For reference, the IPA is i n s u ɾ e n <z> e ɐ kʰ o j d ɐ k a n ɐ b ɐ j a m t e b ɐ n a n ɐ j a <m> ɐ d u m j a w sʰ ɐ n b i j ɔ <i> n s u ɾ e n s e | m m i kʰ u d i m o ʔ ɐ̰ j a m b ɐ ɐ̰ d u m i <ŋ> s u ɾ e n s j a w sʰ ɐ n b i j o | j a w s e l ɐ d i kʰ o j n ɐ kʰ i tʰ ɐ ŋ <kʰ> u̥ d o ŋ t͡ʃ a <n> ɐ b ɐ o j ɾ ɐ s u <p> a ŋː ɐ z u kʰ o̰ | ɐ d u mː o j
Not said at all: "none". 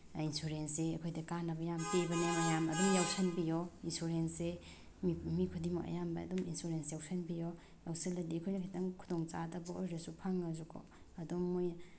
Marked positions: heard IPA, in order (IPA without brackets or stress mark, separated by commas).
s, m, i, n, kʰ, d, pʰ